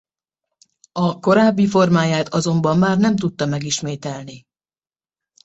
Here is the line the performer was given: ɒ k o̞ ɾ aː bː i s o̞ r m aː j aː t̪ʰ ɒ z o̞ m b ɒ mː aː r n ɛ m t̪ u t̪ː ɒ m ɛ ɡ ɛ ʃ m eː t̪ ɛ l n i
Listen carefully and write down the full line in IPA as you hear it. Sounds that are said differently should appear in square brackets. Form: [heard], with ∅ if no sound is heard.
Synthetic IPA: ɒ k o̞ ɾ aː bː i [f] o̞ r m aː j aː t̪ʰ ɒ z o̞ m b ɒ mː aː r n ɛ m t̪ u t̪ː ɒ m ɛ ɡ [i] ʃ m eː t̪ ɛ l n i